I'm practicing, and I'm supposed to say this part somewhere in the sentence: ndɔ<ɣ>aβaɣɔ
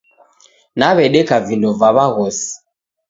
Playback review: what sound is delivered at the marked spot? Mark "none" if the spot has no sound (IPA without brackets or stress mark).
v